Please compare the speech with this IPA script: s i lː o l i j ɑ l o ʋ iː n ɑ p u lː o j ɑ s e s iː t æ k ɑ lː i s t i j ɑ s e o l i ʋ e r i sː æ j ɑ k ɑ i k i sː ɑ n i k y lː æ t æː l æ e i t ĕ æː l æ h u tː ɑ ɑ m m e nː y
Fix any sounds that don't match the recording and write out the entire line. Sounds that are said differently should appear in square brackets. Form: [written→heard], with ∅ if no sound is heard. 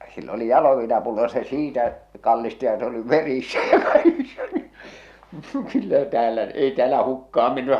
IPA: s i lː o l i j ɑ l o ʋ iː n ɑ p u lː o j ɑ s e s iː t æ k ɑ lː i s t i j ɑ s e o l i ʋ e r i sː æ j ɑ k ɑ i k i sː ɑ n i k y lː æ t æː l æ e i t ĕ æː l æ h u [tː→kː] ɑ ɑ m m e nː y